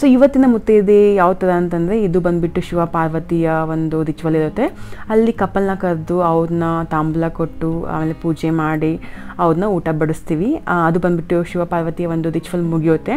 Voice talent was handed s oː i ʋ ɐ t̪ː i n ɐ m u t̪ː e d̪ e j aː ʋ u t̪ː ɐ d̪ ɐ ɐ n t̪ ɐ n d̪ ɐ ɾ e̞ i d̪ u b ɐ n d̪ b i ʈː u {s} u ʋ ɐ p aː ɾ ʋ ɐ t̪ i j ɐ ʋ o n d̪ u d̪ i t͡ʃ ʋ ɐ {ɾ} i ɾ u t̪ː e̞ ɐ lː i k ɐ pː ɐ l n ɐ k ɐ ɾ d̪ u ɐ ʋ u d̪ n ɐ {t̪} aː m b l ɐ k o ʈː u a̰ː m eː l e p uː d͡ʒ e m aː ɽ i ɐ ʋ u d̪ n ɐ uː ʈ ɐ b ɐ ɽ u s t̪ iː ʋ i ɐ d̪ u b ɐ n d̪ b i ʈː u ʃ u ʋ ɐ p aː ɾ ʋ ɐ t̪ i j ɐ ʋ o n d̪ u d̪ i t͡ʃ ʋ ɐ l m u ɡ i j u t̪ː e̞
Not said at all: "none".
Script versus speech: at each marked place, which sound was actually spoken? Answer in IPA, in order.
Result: ʃ, l, t̪

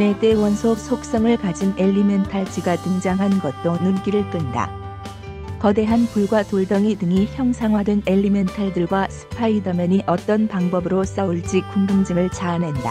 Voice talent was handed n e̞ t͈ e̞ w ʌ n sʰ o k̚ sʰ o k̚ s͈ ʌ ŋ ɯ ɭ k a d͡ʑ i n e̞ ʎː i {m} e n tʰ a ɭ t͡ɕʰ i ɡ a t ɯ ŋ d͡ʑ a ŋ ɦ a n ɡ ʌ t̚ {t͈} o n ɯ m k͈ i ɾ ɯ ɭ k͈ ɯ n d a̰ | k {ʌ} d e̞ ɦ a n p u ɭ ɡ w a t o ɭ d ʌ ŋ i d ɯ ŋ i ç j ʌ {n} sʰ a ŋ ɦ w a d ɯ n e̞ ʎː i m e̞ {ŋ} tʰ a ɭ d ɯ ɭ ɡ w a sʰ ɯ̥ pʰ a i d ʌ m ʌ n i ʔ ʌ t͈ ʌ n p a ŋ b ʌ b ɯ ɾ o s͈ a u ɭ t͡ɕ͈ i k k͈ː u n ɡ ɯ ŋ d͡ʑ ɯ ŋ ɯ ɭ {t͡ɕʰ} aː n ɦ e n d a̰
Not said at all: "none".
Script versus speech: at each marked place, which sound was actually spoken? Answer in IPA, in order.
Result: m, t͈, ʌ, ŋ, n, t͡ɕ

